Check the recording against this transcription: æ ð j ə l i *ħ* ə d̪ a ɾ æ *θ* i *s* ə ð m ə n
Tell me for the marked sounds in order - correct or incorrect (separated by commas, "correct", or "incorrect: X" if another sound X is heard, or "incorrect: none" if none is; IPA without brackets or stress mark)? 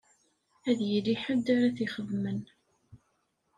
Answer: correct, correct, incorrect: χ